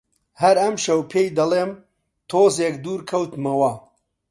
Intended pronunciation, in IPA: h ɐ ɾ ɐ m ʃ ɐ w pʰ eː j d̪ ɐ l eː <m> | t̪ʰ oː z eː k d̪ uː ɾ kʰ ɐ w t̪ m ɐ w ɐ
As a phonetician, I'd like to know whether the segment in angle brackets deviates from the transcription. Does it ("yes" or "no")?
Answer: no